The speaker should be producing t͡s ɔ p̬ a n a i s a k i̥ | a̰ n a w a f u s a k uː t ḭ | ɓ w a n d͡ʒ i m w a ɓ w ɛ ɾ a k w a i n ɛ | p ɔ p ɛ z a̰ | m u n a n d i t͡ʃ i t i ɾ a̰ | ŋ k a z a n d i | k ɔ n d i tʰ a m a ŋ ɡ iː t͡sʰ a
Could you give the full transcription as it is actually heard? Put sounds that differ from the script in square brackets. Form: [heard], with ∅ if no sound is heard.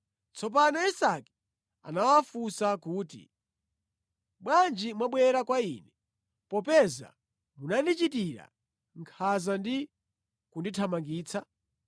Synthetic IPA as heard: t͡s ɔ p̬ a n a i s a k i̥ | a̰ n a w a f u s a k uː t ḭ | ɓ w a n d͡ʒ i m w a ɓ w ɛ ɾ a k w a i n ɛ | p ɔ p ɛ z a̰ | m u n a n d i t͡ʃ i t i ɾ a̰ | ŋ [kʰ] a z a n d i | k [u] n d i tʰ a m a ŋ ɡ iː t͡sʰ a